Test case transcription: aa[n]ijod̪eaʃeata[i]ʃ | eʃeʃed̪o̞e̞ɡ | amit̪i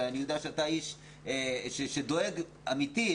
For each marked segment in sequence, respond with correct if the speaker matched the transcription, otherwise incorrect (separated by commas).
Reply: correct, correct